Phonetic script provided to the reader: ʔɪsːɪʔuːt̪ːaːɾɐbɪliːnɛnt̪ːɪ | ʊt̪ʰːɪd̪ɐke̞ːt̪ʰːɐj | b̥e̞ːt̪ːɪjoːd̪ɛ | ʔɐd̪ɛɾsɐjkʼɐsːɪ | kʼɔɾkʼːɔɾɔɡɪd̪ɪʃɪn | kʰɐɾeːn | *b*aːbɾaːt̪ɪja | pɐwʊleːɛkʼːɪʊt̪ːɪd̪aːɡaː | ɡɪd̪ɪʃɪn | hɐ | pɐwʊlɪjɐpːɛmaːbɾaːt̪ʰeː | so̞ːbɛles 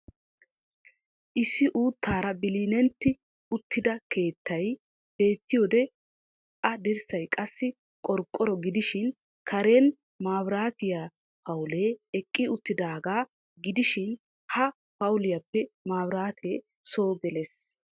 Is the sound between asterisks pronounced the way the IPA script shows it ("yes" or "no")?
no